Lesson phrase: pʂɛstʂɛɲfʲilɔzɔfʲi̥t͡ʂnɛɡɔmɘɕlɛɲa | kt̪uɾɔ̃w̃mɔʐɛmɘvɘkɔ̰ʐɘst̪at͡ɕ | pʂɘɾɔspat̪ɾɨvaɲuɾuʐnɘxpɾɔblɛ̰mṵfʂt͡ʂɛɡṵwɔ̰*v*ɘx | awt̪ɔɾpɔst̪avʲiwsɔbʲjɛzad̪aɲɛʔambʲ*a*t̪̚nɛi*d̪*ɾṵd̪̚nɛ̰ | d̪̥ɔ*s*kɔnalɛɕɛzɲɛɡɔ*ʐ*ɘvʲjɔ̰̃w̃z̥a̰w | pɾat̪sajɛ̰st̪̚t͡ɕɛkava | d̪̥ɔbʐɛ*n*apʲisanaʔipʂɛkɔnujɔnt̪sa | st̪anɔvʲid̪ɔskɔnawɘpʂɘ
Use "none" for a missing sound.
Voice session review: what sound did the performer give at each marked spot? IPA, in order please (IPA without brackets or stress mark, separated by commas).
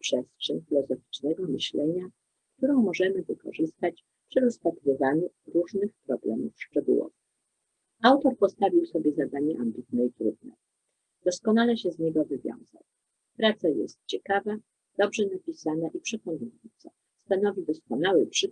v, i, t̪, s, v, n